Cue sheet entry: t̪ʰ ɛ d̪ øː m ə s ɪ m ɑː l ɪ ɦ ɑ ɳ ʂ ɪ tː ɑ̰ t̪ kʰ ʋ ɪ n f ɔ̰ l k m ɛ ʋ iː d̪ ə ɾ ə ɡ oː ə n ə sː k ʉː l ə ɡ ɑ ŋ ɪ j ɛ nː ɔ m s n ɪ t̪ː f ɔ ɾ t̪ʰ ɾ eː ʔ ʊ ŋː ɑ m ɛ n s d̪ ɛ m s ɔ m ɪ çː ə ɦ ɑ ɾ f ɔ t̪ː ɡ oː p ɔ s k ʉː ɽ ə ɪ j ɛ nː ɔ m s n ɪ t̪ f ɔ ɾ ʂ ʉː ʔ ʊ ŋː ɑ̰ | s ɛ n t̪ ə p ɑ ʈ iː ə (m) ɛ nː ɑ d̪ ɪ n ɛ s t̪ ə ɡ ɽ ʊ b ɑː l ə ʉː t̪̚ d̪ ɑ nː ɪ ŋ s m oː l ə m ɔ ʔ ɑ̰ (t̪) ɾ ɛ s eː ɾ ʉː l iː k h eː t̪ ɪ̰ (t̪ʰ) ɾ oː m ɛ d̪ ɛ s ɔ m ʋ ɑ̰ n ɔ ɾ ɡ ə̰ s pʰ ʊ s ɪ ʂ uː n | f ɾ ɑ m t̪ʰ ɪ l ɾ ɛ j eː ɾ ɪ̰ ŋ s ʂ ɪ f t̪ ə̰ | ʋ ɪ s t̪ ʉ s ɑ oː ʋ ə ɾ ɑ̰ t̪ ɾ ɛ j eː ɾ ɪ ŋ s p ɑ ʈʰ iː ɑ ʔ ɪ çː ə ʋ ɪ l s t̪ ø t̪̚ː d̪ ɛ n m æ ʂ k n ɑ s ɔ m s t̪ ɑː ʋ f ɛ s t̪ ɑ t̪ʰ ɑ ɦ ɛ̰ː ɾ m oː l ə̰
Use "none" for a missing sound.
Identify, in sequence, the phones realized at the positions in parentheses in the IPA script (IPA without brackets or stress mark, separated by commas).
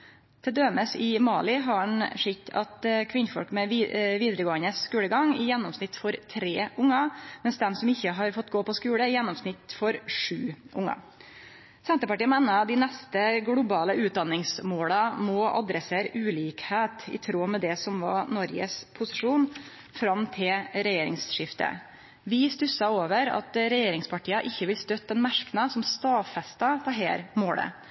m, d̪, t̪ʰ